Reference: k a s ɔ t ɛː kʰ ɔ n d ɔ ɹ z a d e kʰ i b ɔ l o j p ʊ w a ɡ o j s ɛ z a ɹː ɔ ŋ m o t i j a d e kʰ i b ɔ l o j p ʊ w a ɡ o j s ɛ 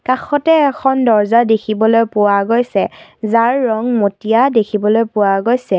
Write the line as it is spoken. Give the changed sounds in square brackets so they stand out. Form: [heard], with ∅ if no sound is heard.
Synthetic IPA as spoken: k a [x] ɔ t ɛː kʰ ɔ n d ɔ ɹ z a d e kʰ i b ɔ l o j p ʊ w a ɡ o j s ɛ z a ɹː ɔ ŋ m o t i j a d e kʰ i b ɔ l o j p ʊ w a ɡ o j s ɛ